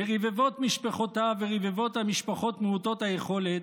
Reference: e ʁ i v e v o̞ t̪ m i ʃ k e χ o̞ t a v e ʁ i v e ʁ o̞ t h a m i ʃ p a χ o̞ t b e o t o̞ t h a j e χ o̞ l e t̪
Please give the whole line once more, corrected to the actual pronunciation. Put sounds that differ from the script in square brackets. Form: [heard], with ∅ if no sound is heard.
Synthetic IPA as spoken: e ʁ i v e v o̞ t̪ m i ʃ [p] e χ o̞ t a v e ʁ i v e [v] o̞ t h a m i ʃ p a χ o̞ t [m] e [u] t o̞ t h a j e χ o̞ l e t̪